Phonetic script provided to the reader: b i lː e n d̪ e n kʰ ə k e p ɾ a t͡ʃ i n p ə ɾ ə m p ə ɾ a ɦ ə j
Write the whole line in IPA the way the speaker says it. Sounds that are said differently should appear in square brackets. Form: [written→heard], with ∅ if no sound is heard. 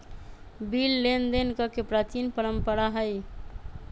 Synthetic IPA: b i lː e n d̪ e n [kʰ→k] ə k e p ɾ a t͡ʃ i n p ə ɾ ə m p ə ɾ a ɦ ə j